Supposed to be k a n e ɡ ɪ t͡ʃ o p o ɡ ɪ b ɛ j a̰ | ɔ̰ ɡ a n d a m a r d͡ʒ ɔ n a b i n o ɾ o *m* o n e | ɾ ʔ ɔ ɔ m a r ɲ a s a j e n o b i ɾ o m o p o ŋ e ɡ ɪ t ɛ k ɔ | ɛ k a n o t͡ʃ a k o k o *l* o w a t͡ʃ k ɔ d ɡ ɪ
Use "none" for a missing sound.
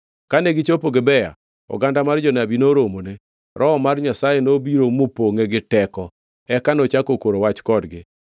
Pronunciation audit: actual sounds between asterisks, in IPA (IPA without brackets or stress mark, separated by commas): m, ɾ